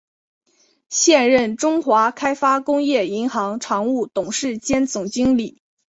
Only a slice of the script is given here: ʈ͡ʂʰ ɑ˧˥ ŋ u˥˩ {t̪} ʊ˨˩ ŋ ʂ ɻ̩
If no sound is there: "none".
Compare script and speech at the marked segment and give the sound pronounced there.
t̪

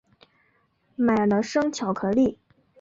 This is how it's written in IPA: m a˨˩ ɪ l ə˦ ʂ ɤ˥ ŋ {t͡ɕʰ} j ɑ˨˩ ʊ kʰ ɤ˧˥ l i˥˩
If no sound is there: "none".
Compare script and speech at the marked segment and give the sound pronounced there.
t͡ɕʰ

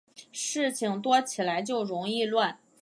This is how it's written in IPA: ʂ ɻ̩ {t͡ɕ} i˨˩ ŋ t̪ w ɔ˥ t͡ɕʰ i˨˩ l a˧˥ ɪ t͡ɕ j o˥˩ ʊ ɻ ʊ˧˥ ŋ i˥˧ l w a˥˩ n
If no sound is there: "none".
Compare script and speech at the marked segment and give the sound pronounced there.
t͡ɕʰ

